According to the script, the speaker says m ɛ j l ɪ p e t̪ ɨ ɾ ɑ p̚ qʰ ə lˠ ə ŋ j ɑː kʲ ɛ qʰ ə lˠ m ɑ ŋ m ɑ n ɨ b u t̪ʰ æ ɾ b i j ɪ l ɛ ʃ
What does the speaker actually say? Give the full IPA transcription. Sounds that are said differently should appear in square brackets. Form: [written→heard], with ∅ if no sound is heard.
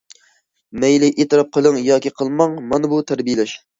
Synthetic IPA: m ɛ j l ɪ [p→ʔ] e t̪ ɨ ɾ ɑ p̚ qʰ ə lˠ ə ŋ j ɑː kʲ [ɛ→i] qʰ ə lˠ m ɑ ŋ m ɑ n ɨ b u t̪ʰ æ ɾ b i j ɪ l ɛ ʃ